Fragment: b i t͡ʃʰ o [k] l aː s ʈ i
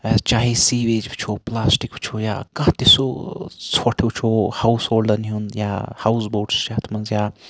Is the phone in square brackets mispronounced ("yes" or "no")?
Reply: yes